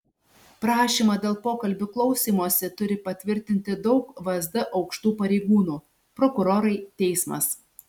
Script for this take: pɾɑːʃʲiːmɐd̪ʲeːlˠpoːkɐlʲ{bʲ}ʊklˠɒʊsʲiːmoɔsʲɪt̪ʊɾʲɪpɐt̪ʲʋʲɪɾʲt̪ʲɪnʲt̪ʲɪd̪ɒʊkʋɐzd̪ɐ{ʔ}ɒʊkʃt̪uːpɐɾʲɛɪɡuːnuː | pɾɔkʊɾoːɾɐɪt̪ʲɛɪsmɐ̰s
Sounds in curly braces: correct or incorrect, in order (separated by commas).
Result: correct, correct